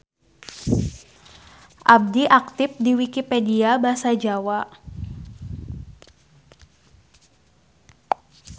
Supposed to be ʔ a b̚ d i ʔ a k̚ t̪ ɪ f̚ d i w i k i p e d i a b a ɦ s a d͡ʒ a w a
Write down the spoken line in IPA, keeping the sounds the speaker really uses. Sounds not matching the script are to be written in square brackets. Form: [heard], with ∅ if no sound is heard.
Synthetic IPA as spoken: ʔ a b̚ d i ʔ a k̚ t̪ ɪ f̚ d i w i k i p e d i a b a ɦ s a d͡ʒ a w a